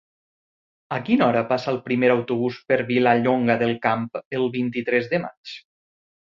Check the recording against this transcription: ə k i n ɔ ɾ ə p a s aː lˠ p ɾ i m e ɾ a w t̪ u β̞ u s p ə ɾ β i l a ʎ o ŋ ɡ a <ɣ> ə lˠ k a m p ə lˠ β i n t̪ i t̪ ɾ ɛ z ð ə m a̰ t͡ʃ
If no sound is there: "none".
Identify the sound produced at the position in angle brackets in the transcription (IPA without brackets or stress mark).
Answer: ð